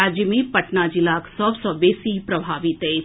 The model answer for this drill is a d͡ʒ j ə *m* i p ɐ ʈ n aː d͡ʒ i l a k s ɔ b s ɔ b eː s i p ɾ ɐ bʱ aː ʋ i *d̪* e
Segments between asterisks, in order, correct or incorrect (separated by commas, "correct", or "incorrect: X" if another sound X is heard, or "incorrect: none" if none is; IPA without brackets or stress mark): correct, incorrect: t̪